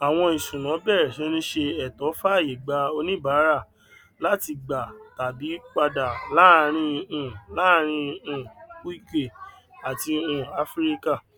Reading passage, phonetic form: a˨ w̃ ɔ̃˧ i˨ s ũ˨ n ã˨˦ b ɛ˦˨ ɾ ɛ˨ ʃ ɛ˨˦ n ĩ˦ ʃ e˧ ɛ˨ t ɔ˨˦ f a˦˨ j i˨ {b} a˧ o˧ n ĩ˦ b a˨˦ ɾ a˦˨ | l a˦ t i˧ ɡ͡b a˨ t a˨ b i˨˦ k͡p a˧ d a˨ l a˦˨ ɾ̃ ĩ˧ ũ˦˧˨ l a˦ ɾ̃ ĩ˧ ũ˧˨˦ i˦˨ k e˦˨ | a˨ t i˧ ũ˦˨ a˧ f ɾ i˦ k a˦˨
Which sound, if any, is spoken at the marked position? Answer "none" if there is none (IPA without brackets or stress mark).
ɡ͡b